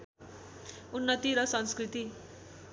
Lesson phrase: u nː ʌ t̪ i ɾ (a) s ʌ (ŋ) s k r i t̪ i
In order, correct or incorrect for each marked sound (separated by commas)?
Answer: incorrect, incorrect